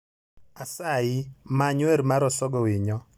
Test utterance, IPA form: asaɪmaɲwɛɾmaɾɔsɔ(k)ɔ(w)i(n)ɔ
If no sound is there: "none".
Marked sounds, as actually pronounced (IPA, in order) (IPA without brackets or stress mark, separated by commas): ɡ, w, ɲ